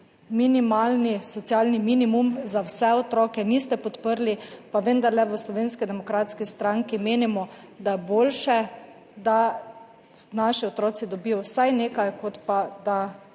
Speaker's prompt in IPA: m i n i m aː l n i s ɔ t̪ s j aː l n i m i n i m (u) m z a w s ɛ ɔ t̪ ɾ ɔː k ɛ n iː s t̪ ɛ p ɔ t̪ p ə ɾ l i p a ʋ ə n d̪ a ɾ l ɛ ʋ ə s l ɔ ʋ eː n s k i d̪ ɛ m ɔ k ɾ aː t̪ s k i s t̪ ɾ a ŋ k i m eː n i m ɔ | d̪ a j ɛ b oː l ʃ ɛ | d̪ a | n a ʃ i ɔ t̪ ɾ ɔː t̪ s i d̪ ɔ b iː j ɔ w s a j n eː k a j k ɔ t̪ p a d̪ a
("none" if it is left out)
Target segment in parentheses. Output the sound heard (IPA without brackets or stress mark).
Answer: u